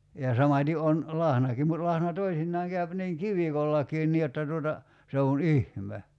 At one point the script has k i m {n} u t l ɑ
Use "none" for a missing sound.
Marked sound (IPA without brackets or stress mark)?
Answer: m